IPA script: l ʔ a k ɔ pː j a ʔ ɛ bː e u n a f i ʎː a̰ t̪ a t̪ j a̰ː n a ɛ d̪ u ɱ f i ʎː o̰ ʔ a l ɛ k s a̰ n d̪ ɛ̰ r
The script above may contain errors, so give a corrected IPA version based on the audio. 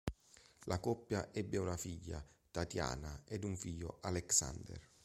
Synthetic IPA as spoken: l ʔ a k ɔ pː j a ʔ ɛ bː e u n a f i ʎː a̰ t̪ a t̪ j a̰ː n a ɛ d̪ u ɱ f i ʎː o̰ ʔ a l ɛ k s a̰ n d̪ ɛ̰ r